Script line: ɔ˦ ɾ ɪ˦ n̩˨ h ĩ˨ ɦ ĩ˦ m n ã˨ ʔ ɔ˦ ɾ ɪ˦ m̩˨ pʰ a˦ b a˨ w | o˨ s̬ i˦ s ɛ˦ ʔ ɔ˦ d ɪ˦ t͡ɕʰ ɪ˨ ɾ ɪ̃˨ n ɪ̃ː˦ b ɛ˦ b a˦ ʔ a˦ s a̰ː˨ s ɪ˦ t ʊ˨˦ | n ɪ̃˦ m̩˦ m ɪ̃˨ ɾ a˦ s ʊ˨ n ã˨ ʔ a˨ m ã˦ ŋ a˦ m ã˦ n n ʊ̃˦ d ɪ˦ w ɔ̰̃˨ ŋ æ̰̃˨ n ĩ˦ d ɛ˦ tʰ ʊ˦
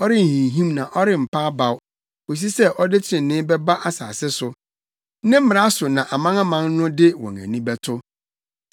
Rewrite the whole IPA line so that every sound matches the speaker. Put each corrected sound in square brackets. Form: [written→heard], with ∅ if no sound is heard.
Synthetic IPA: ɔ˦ ɾ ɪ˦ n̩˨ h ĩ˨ ɦ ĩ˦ m n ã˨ ʔ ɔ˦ ɾ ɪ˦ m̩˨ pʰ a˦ b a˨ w | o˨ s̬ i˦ s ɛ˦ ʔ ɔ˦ d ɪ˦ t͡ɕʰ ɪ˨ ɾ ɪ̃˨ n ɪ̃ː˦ b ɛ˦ b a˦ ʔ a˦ s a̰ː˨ s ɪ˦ [t→s] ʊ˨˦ | n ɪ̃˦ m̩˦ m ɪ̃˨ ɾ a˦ s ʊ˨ n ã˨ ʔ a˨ m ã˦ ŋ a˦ m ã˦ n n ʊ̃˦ d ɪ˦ w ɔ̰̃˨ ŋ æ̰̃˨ n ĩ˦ [d→b] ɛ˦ tʰ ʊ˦